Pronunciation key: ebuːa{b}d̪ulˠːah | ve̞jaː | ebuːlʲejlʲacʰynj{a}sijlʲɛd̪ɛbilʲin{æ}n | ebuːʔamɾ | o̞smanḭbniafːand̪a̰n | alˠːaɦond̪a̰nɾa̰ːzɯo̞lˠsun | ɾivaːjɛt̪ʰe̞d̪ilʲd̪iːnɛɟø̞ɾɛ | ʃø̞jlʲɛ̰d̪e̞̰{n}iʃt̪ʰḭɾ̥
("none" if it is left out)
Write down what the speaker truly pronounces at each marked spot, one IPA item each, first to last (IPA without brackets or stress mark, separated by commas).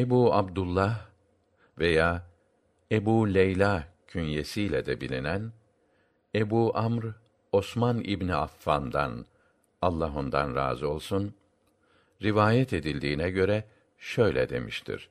b, e, æ, m